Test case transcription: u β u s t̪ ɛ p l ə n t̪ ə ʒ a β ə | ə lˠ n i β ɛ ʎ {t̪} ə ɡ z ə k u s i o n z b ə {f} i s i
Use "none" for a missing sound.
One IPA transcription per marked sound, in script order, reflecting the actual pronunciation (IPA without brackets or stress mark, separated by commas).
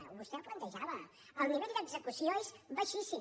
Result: d̪, ʃ